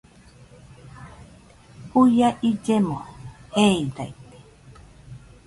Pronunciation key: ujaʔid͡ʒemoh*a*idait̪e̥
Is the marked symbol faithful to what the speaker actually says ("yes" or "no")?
no